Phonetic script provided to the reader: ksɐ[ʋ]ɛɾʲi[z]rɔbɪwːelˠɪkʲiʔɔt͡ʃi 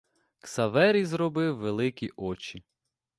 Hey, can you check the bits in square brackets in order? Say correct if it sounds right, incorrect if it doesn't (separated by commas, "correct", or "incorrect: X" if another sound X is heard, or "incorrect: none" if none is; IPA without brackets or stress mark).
correct, correct